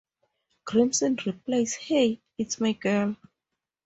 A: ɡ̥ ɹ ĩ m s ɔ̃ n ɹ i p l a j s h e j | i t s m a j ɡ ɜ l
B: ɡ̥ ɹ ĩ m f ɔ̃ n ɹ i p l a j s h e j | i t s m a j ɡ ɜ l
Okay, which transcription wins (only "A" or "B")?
A